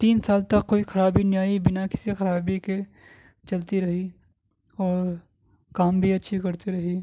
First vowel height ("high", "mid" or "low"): high